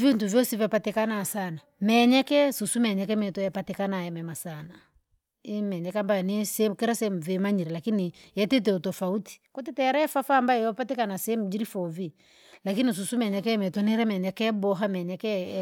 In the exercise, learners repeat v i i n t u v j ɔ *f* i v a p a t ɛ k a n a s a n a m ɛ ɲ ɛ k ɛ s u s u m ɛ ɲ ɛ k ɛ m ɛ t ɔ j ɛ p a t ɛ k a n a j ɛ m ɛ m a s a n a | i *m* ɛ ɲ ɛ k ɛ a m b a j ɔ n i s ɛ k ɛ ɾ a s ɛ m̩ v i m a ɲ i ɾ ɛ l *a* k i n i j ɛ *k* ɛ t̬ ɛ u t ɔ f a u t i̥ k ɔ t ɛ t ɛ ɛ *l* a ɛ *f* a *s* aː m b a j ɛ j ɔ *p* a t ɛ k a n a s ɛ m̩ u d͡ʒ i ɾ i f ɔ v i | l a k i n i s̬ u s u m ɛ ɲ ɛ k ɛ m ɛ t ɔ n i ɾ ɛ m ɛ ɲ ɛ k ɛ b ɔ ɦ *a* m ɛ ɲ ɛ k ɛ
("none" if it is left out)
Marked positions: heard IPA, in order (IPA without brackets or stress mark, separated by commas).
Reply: s, m, a, t, ɾ, f, f, p, a